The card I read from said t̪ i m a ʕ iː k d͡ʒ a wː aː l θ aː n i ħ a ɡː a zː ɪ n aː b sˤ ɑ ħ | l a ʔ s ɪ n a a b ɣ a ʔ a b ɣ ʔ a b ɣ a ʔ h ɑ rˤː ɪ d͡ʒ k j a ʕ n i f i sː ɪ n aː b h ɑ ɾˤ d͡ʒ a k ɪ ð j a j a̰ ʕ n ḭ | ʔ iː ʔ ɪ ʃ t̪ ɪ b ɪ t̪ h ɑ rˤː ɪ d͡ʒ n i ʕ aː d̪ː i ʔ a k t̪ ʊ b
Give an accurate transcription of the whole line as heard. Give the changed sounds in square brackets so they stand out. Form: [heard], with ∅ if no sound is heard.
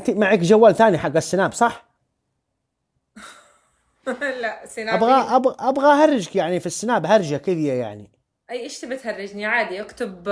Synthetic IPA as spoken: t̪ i m a ʕ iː k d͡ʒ a wː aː l θ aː n i ħ a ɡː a [sː] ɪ n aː b sˤ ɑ ħ | l a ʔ s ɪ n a a b ɣ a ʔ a b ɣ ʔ a b ɣ a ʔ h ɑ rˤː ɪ d͡ʒ k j a ʕ n i f i sː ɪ n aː b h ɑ ɾˤ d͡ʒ a k ɪ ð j a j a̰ ʕ n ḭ | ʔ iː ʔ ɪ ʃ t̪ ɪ b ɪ t̪ h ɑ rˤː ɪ d͡ʒ n i ʕ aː [d̪] i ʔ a k t̪ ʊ b